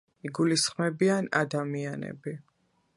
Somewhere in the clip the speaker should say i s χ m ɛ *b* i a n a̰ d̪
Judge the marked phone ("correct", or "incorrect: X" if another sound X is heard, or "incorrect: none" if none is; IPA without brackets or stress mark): correct